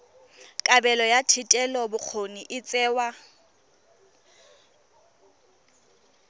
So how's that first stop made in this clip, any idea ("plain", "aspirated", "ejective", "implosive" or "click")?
ejective